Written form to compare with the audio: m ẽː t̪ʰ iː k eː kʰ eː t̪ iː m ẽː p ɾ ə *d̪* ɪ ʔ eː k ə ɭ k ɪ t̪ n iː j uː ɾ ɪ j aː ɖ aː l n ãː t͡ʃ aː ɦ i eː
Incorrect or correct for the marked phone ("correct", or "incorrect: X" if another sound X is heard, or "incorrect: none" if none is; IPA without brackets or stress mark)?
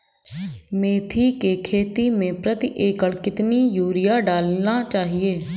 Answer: incorrect: t̪